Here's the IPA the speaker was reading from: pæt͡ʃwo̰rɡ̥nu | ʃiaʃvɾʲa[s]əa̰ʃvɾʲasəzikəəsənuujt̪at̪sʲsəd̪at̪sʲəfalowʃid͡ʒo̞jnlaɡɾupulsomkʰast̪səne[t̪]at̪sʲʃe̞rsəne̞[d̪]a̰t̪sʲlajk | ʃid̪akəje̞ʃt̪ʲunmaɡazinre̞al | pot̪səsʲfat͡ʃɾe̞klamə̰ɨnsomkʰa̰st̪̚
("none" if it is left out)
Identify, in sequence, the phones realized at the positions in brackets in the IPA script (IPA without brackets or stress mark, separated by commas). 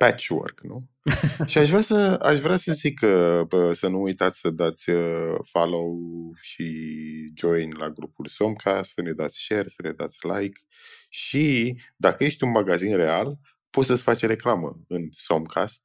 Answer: s, d̪, d̪